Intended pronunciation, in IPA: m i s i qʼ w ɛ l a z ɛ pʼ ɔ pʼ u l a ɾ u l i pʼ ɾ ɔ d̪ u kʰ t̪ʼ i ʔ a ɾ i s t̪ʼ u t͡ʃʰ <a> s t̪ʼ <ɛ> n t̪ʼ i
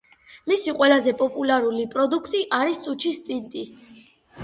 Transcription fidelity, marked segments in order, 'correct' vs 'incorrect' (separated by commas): incorrect, incorrect